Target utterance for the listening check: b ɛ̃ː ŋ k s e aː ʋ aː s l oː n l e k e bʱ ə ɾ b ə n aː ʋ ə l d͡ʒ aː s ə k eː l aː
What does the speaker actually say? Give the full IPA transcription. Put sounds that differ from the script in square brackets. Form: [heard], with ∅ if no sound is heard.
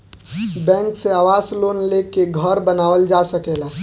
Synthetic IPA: b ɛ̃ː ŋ k s e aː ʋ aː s l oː n l e k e [ɡʱ] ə ɾ b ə n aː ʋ ə l d͡ʒ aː s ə k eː l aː